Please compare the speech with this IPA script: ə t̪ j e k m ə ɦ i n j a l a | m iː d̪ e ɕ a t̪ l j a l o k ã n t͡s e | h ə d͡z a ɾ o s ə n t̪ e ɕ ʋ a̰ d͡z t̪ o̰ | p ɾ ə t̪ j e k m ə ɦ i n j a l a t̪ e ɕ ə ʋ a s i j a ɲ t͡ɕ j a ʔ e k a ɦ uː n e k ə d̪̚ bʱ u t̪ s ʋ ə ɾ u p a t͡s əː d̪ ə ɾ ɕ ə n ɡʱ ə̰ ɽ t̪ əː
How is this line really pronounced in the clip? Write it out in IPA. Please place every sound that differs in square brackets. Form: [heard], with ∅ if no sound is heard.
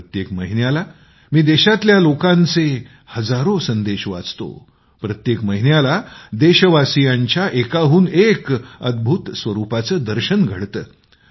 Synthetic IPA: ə t̪ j e k m ə ɦ i n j a l a | m iː d̪ e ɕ a t̪ l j a l o k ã n t͡s e | h ə d͡z a ɾ o s ə n [d̪] e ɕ ʋ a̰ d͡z t̪ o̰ | p ɾ ə t̪ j e k m ə ɦ i n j a l a [d̪] e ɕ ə ʋ a s i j a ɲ t͡ɕ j a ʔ e k a ɦ uː n e k ə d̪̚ bʱ u t̪ s ʋ ə ɾ u p a t͡s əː d̪ ə ɾ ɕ ə n ɡʱ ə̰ ɽ t̪ əː